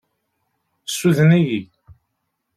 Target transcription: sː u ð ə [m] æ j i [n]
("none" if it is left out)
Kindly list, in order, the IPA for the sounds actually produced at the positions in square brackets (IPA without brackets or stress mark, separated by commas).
n, none